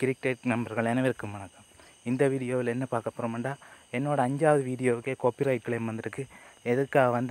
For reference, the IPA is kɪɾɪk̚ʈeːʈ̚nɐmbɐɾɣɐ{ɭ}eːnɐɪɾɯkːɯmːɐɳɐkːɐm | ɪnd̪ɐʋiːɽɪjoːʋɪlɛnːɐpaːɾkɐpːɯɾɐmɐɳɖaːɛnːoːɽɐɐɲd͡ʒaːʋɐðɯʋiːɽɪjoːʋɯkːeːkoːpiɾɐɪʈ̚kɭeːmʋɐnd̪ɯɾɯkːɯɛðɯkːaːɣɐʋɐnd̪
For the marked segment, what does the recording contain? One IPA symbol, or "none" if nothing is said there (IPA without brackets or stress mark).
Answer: ɭ